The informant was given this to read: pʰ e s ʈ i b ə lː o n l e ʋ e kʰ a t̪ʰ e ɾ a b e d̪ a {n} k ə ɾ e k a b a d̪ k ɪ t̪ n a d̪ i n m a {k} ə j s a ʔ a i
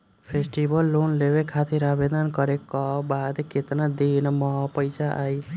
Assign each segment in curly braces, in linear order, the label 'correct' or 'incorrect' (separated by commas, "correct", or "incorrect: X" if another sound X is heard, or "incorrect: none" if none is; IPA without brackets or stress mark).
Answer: correct, incorrect: p